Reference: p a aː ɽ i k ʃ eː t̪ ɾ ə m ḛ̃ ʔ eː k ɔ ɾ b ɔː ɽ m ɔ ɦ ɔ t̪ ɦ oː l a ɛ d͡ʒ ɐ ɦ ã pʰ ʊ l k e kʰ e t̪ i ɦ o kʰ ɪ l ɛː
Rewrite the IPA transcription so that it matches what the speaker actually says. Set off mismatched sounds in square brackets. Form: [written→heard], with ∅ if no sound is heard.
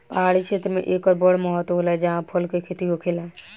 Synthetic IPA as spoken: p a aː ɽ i k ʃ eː t̪ ɾ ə m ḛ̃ ʔ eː k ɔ ɾ b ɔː ɽ m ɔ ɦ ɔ t̪ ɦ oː l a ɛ d͡ʒ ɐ ɦ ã pʰ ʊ l k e kʰ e t̪ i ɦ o kʰ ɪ l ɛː